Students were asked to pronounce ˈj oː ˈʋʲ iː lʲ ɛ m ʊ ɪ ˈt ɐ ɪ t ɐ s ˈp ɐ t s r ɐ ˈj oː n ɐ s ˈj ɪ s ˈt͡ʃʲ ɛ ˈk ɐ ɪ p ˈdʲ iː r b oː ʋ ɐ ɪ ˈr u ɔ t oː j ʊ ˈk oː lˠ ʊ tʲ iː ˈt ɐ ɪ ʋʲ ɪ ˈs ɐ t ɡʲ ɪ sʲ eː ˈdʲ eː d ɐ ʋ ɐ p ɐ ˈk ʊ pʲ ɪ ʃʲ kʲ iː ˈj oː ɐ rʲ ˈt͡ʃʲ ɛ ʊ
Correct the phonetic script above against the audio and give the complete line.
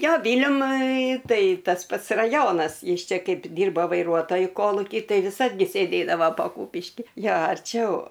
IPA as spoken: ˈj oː ˈʋʲ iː lʲ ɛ m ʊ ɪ ˈt ɐ ɪ t ɐ s ˈp ɐ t s r ɐ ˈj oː n ɐ s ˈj ɪ s ˈt͡ʃʲ ɛ ˈk ɐ ɪ p ˈdʲ iː r b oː ʋ ɐ ɪ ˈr u ɔ t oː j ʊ ˈk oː lˠ ʊ kʲ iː ˈt ɐ ɪ ʋʲ ɪ ˈs ɐ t ɡʲ ɪ sʲ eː ˈdʲ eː d ɐ ʋ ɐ p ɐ ˈk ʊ pʲ ɪ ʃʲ kʲ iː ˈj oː ɐ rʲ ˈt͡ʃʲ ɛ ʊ